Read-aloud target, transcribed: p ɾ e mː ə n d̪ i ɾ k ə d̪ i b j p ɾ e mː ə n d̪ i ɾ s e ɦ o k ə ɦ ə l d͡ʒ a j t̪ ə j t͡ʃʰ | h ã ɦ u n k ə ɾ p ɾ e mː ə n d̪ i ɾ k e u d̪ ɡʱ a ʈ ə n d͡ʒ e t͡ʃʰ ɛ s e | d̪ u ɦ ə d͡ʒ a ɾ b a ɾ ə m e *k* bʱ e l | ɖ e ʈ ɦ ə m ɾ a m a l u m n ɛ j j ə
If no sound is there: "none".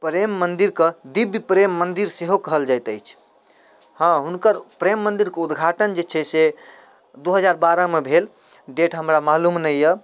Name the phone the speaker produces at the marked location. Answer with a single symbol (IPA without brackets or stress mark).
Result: none